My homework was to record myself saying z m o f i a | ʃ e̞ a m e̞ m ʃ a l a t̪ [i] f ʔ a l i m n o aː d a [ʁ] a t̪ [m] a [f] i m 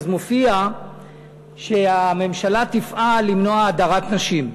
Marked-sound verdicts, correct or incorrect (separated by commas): correct, correct, incorrect, incorrect